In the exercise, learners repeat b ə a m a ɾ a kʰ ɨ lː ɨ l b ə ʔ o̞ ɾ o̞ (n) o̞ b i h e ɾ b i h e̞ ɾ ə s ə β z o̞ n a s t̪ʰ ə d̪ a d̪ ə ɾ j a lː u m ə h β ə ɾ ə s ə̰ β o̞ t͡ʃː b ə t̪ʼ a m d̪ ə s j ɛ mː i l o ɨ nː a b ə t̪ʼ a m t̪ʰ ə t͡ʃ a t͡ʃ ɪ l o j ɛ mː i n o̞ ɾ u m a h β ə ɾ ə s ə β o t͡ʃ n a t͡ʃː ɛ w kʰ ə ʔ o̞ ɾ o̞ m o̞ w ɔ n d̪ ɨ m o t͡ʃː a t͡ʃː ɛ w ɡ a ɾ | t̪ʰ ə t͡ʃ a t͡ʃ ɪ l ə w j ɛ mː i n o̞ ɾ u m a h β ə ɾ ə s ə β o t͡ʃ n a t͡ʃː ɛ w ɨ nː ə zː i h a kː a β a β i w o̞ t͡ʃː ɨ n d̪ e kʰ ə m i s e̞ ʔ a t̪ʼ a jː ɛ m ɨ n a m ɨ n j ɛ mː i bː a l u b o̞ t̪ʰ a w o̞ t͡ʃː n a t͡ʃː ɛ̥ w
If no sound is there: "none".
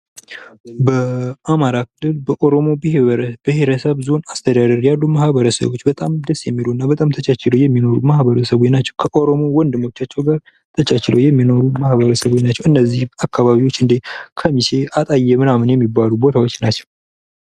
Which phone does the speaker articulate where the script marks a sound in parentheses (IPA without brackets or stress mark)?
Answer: m